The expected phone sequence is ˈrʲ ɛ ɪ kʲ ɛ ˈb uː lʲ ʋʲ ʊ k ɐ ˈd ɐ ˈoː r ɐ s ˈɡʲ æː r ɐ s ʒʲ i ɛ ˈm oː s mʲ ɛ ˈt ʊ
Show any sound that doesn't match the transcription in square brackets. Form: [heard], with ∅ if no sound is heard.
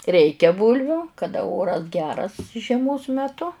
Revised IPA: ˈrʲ ɛ ɪ kʲ ɛ ˈb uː lʲ ʋʲ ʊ k ɐ ˈd ɐ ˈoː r ɐ s ˈɡʲ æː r ɐ s ʒʲ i ɛ ˈm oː s mʲ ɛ ˈt ʊ